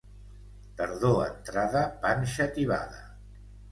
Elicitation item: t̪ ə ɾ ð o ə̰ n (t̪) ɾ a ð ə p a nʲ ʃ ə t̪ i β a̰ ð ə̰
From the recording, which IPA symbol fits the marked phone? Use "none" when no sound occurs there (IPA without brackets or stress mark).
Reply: t̪